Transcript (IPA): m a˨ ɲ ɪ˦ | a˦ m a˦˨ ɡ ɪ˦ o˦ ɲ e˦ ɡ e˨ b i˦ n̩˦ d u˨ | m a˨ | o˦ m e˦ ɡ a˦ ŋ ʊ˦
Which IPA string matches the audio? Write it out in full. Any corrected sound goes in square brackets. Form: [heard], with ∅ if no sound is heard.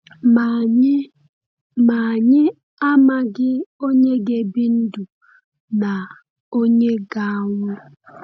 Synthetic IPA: m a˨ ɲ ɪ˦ | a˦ m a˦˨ ɡ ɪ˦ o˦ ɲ e˦ ɡ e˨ b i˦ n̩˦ d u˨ | [n] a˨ | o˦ [ɲ] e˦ ɡ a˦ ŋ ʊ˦